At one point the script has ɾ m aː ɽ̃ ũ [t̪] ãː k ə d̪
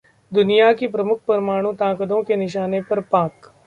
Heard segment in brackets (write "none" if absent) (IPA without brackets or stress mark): t̪